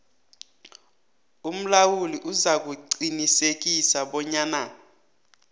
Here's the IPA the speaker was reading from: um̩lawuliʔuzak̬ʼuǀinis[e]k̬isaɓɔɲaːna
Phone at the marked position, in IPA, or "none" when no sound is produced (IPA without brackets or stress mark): e